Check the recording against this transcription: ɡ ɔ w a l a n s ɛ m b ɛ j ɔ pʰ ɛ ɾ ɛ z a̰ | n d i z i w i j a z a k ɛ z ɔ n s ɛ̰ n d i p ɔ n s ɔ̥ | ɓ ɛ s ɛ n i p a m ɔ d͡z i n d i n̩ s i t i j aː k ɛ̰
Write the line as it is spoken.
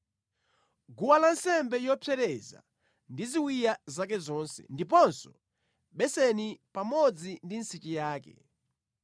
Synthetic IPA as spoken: ɡ u w a l a n s ɛ m b ɛ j ɔ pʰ ɛ ɾ ɛ z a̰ | n d i z i w i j a z a k ɛ z ɔ n s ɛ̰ n d i p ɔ n s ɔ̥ | ɓ ɛ s ɛ n i p a m ɔ d͡z i n d i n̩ s i t͡ʃ i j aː k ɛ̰